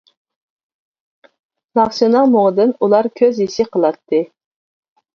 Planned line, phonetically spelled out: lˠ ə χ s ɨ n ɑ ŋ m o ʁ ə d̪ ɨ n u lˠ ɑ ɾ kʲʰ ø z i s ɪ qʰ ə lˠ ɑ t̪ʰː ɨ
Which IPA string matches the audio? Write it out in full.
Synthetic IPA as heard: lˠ ɑ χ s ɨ n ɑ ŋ m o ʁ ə d̪ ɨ n u lˠ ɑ ɾ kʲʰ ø z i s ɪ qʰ ə lˠ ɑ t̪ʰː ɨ